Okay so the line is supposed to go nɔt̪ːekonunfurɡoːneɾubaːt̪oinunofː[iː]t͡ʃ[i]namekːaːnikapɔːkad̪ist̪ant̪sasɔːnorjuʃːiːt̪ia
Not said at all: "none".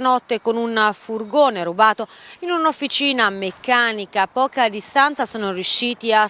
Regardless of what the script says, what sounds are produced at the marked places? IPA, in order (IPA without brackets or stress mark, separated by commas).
i, iː